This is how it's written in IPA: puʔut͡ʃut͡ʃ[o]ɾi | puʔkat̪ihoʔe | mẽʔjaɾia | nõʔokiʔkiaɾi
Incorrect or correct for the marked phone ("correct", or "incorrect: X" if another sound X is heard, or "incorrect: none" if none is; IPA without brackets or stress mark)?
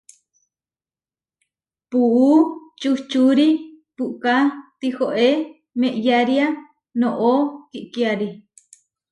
incorrect: u